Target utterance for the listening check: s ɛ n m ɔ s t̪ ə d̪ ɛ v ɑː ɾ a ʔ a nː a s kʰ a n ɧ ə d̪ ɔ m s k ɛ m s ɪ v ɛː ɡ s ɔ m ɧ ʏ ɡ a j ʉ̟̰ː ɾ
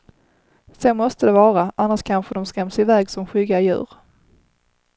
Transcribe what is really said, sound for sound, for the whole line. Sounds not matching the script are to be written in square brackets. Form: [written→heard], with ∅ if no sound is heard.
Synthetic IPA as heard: s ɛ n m ɔ s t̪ ə d̪ ɛ v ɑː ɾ a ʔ a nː a [s→ʂ] kʰ a n ɧ ə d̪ ɔ m s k ɛ m s ɪ v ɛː ɡ s ɔ m ɧ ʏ ɡ a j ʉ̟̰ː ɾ